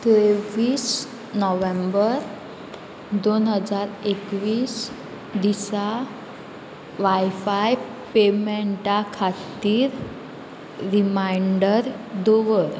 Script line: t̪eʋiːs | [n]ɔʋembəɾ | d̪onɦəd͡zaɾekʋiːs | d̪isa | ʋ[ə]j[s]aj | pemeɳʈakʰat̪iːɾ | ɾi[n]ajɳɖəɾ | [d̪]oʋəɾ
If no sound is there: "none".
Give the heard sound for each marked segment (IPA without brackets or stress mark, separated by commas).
n, a, f, m, d̪